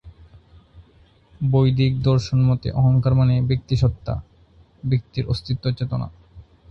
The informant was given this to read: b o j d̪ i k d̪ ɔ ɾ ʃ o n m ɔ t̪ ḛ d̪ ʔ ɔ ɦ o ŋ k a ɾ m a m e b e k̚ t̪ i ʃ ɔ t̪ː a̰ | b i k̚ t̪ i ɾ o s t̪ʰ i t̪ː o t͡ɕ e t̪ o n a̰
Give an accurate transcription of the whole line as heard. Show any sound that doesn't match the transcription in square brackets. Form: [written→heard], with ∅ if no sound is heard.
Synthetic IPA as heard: b o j d̪ i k d̪ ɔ ɾ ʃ o n m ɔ t̪ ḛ [d̪→∅] ʔ ɔ ɦ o ŋ k a ɾ m a [m→n] e b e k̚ t̪ i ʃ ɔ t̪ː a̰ | b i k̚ t̪ i ɾ o s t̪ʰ i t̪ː o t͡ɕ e t̪ o n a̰